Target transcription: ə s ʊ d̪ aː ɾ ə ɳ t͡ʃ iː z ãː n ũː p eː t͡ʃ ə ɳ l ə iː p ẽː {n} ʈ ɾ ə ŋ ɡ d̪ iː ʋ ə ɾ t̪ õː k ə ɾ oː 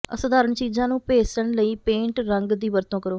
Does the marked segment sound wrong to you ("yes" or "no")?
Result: yes